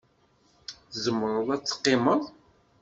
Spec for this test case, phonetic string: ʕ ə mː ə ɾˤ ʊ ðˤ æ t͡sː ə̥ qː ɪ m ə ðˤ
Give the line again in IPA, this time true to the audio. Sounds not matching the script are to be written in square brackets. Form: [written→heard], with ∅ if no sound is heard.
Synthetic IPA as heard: [ʕ→z] ə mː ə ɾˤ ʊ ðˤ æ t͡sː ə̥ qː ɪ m ə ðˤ

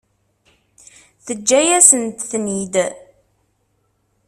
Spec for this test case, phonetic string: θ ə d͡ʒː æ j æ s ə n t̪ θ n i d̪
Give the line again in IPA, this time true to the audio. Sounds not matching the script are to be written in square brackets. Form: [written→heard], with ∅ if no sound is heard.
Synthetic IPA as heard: θ ə d͡ʒː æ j æ s ə n t̪ θ n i d̪

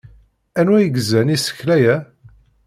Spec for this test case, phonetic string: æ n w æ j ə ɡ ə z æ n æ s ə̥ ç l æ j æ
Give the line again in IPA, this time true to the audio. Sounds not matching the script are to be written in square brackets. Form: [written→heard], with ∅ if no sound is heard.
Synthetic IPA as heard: æ n w æ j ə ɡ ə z æ n [æ→i] s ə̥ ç l æ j æ

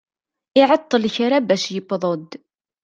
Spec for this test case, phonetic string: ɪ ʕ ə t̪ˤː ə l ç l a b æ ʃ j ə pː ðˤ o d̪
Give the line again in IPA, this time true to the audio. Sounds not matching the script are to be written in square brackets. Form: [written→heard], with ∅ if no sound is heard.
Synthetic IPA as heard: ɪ ʕ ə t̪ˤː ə l ç [l→ɾ] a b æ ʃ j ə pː ðˤ o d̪

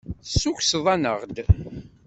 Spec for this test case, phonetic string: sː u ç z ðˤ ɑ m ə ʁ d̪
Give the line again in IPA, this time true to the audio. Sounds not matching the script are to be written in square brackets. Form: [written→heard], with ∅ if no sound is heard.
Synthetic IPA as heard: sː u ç [z→s] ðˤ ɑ [m→n] ə ʁ d̪

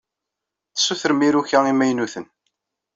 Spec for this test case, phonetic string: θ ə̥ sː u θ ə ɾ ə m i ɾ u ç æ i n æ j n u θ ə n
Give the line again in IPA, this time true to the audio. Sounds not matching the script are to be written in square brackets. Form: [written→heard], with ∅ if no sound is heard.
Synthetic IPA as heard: θ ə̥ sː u θ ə ɾ ə m i ɾ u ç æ i [n→m] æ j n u θ ə n

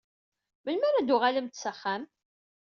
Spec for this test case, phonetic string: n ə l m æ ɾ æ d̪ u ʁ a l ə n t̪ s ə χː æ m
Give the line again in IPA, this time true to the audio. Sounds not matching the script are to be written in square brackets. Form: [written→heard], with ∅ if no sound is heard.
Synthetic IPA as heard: [n→m] ə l m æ ɾ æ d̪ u ʁ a l ə [n→m] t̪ s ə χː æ m

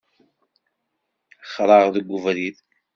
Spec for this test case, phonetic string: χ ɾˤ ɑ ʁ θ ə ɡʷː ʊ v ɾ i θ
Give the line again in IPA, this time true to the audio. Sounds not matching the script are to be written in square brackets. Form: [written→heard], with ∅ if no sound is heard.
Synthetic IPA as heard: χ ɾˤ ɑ ʁ [θ→ð] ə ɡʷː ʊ v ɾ i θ

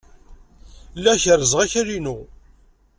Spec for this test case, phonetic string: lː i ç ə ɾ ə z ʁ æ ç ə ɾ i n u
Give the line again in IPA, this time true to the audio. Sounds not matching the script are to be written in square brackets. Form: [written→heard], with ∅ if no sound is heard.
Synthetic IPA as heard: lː [i→æ] ç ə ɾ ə z ʁ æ ç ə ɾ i n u

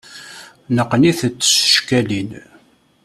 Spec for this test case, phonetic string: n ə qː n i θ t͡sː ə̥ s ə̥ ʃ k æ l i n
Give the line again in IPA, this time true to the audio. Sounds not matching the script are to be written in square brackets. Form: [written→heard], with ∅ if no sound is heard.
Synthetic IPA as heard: n ə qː n i θ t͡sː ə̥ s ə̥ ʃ k æ l i n

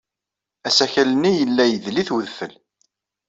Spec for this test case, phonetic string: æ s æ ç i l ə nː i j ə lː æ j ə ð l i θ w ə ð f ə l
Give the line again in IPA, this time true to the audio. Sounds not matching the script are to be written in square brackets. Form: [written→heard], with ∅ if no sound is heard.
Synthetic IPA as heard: æ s æ ç [i→æ] l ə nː i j ə lː æ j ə ð l i θ w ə ð f ə l

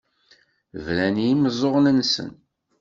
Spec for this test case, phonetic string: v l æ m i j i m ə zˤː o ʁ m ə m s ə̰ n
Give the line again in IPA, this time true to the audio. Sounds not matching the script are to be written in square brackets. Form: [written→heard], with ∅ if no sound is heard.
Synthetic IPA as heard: v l æ [m→n] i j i m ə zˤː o ʁ [m→n] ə [m→n] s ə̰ n

